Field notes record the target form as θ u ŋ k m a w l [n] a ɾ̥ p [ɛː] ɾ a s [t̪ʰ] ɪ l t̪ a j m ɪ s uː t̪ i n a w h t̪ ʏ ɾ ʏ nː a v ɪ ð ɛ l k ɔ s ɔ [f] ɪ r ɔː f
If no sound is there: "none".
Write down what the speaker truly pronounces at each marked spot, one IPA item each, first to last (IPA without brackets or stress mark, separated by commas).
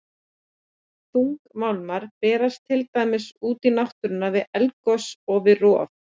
m, ɛː, t̪ʰ, v